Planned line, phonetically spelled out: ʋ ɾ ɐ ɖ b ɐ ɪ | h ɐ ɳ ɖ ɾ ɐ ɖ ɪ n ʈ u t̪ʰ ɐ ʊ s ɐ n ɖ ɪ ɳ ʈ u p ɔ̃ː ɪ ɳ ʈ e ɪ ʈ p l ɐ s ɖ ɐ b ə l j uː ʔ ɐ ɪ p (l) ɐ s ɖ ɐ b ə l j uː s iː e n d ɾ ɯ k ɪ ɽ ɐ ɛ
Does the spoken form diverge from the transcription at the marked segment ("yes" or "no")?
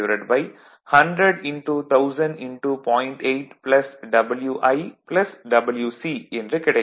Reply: no